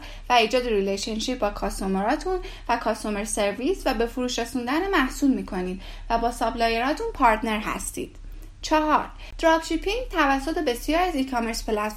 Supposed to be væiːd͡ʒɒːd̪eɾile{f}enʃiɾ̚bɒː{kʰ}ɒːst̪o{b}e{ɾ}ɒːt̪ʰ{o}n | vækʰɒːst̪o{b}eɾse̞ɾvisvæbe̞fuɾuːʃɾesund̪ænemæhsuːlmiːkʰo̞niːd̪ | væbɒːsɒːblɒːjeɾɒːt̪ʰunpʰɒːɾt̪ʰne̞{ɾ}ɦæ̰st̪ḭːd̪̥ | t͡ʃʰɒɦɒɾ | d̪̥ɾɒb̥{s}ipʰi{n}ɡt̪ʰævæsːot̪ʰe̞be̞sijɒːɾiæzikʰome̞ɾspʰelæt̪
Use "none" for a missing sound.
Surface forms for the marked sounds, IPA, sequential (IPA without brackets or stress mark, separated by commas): ʃ, kʰ, m, ɾ, u, m, ɾ, ʃ, ŋ